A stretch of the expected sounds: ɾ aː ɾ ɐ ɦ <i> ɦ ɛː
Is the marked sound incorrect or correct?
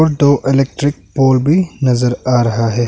incorrect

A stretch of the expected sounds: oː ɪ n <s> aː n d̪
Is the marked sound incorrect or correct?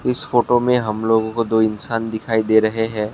correct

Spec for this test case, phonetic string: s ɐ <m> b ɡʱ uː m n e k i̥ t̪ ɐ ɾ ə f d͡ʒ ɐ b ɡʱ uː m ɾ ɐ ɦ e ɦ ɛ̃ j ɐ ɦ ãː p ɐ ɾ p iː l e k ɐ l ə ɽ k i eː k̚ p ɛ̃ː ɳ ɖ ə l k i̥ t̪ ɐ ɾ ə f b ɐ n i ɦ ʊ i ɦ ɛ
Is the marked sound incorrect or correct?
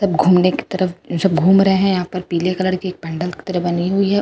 incorrect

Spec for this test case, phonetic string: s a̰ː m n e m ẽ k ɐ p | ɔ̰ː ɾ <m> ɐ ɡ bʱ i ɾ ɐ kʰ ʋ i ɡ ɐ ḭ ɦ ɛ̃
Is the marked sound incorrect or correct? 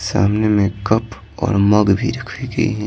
correct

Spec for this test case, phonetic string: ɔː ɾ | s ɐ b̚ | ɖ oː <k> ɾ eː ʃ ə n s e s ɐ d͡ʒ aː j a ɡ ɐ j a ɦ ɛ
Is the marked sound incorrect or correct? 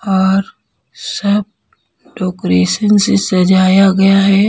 correct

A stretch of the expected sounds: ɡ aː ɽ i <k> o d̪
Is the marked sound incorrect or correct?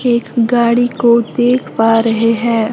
correct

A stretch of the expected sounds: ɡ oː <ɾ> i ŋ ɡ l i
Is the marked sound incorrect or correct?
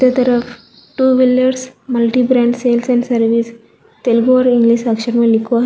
correct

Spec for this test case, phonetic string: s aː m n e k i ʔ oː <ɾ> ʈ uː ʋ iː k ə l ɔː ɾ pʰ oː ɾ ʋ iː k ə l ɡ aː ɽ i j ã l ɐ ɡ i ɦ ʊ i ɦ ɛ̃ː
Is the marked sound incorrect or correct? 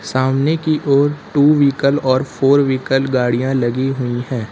correct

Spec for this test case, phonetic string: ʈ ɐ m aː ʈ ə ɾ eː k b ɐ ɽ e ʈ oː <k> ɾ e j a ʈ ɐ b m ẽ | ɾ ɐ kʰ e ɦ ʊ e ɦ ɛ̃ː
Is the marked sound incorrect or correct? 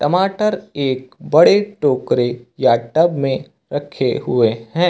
correct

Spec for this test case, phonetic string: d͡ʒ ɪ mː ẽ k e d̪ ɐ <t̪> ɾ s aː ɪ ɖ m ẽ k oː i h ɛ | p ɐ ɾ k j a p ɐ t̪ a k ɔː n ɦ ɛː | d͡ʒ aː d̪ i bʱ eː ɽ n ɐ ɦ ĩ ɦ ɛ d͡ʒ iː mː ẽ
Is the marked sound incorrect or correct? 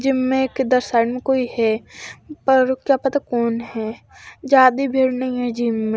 incorrect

